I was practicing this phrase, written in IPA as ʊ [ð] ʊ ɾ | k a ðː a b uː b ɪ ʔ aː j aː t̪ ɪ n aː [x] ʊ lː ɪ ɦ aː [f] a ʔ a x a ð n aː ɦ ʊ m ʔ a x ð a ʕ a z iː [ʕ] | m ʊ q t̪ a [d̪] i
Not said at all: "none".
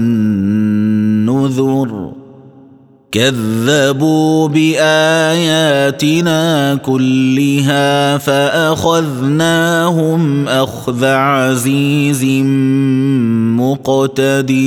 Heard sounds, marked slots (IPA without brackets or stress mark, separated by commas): ð, k, f, z, d̪